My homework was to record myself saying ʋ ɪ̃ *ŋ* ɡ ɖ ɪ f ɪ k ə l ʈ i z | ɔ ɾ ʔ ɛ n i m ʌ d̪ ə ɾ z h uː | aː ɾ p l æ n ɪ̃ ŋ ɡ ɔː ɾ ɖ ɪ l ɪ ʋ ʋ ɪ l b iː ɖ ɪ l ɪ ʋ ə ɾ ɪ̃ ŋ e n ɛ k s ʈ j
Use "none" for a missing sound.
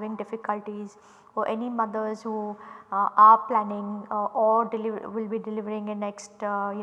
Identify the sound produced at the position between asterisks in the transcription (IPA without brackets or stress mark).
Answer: ŋ